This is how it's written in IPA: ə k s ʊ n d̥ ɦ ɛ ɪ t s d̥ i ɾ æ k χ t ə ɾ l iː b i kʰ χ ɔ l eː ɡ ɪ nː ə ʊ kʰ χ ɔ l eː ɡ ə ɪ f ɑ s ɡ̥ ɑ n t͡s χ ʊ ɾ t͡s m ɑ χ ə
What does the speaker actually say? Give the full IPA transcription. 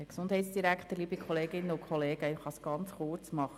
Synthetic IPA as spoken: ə k s ʊ n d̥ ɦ ɛ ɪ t s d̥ i ɾ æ k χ t ə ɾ l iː b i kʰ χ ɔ l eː ɡ ɪ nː ə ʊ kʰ χ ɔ l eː ɡ ə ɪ χ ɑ s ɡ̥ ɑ n t͡s χ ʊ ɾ t͡s m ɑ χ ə